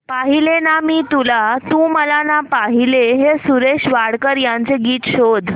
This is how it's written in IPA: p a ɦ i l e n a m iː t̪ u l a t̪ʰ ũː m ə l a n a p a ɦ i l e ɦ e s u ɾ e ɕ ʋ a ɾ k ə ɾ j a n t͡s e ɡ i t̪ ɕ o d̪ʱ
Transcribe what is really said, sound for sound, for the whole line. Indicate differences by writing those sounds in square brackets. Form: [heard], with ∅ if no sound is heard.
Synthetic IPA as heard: p a ɦ i l e n a m iː t̪ u l a [t̪] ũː m ə l a n a p a ɦ i l e ɦ e s u ɾ e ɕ ʋ a [ɽ] k ə ɾ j a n t͡s e ɡ [iː] t̪ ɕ o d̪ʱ